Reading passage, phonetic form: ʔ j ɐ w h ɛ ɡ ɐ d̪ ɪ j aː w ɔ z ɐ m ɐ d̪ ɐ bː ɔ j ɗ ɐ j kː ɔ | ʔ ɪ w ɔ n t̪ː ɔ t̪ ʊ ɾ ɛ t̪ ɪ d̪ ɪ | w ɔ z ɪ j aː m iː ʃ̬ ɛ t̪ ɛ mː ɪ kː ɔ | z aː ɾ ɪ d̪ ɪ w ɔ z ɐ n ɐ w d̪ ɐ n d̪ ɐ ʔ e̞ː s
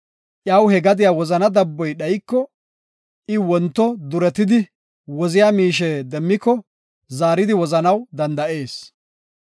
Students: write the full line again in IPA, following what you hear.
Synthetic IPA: ʔ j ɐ w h ɛ ɡ ɐ d̪ ɪ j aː w ɔ z ɐ n ɐ d̪ ɐ bː ɔ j ɗ ɐ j kː ɔ | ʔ ɪ w ɔ n t̪ː ɔ d̪ ʊ ɾ ɛ t̪ ɪ d̪ ɪ | w ɔ z ɪ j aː m iː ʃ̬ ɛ d̪ ɛ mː ɪ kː ɔ | z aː ɾ ɪ d̪ ɪ w ɔ z ɐ n ɐ w d̪ ɐ n d̪ ɐ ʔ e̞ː s